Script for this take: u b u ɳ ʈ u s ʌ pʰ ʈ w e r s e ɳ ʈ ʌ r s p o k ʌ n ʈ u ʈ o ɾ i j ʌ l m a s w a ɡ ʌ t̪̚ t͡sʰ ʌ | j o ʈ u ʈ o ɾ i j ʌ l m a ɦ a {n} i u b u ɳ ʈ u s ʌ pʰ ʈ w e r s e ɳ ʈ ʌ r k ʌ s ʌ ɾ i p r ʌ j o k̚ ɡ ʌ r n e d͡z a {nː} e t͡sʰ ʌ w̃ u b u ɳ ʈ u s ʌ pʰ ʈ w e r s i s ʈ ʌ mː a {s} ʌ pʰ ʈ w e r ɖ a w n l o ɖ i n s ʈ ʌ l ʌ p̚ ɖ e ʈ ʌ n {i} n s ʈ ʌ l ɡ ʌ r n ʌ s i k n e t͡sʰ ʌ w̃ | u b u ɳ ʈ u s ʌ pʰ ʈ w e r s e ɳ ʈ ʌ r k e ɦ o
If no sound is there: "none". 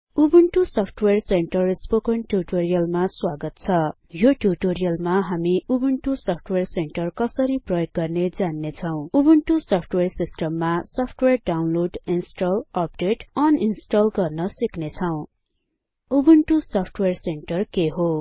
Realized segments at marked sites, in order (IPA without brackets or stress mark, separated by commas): m, nː, s, i